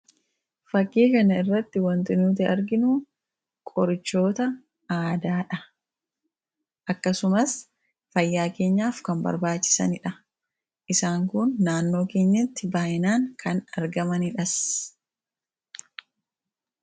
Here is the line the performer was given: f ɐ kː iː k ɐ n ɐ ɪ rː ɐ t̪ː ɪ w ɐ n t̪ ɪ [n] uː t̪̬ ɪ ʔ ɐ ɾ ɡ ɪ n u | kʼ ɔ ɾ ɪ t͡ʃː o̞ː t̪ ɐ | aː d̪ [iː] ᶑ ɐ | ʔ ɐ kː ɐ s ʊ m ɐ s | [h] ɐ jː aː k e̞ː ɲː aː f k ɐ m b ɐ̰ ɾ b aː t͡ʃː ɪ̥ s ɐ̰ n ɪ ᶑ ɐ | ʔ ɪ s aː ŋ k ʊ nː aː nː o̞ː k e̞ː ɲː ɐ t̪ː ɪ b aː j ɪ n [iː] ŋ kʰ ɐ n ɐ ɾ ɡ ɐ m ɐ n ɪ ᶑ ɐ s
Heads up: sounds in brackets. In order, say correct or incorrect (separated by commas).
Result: correct, incorrect, incorrect, incorrect